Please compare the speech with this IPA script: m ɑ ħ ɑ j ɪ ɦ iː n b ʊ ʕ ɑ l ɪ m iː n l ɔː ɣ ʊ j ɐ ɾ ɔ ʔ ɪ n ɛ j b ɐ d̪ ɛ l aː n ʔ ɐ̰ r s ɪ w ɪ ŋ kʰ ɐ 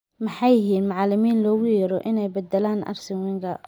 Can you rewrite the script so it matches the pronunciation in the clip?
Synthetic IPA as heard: m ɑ ħ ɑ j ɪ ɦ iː n m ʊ ʕ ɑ l ɪ m iː n l ɔː ɣ ʊ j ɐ ɾ ɔ ʔ ɪ n ɛ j b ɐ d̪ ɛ l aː n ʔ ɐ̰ r s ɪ w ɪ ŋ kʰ ɐ